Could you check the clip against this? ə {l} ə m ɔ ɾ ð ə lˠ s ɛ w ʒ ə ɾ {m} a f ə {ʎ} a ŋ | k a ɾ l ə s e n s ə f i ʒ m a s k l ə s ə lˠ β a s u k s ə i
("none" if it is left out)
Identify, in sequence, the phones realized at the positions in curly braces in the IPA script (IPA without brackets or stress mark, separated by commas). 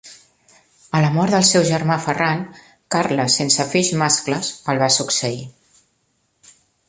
l, m, r